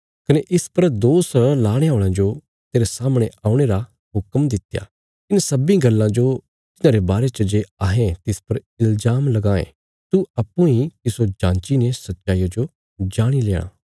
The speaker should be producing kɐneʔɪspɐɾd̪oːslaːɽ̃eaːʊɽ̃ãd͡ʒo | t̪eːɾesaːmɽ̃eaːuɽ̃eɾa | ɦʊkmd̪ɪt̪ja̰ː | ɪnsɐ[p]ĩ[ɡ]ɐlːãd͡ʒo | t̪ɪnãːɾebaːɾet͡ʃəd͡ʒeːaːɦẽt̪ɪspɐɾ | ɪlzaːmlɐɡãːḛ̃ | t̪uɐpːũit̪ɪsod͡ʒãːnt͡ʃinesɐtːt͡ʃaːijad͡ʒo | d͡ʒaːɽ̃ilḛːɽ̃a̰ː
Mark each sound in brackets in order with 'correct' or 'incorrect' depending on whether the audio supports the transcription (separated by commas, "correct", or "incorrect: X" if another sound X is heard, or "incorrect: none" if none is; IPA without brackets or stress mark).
incorrect: b, correct